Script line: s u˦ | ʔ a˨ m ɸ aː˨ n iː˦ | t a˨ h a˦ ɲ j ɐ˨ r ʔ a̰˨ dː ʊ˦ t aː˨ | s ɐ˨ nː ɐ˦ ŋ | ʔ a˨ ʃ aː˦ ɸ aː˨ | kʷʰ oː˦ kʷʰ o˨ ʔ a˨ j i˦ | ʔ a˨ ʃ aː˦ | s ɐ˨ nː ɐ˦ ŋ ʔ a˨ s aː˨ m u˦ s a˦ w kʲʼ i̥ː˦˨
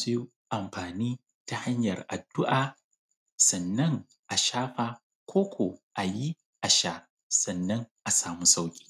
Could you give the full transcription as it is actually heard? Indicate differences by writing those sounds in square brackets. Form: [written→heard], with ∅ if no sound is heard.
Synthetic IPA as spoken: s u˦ | ʔ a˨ m ɸ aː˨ n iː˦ | t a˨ h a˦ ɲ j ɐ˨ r ʔ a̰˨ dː ʊ˦ [t→ʔ] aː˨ | s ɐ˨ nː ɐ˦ ŋ | ʔ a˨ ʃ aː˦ ɸ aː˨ | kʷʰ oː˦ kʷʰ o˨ ʔ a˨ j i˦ | ʔ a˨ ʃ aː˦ | s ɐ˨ nː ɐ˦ ŋ ʔ a˨ s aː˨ m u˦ s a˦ w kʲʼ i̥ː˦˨